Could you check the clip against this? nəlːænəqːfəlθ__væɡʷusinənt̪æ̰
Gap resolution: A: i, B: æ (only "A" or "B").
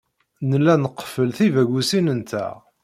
A